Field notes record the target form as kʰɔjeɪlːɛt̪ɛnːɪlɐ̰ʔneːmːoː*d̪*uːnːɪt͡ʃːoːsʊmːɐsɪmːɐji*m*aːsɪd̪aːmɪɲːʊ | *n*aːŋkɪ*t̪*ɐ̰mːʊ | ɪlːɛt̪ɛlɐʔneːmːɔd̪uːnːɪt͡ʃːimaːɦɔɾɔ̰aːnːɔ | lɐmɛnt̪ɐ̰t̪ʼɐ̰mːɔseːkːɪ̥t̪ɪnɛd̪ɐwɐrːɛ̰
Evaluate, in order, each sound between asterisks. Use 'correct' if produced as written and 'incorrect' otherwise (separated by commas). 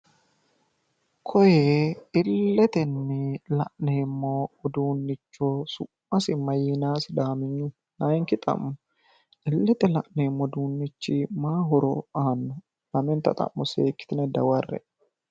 correct, incorrect, correct, incorrect